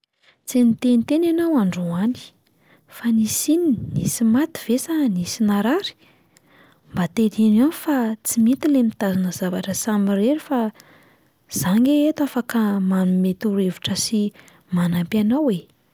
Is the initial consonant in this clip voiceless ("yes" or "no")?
yes